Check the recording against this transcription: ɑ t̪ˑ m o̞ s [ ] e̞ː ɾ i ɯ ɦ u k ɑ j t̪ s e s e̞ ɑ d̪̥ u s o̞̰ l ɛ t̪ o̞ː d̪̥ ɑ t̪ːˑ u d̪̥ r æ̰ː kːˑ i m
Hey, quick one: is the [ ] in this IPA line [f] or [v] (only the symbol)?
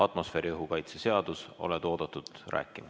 f